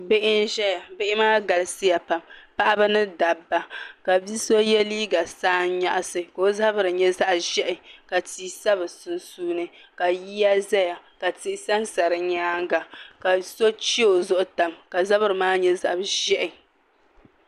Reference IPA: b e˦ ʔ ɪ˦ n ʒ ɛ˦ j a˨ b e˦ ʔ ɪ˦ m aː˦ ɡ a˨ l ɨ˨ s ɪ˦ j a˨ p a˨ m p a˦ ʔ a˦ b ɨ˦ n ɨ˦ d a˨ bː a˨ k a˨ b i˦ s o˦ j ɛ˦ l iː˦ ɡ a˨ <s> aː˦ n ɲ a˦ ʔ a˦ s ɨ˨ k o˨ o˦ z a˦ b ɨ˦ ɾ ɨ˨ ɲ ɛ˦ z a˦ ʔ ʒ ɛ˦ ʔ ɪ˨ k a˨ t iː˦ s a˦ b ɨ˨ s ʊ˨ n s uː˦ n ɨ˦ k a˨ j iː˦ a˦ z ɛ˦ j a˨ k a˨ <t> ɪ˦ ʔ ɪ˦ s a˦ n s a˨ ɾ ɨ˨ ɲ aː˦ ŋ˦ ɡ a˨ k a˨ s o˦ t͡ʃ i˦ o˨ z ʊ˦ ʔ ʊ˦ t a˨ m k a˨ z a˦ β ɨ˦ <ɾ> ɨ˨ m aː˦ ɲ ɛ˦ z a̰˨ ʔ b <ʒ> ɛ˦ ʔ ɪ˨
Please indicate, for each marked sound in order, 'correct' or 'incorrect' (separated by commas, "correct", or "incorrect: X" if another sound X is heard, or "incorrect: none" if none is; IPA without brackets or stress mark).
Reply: correct, correct, correct, correct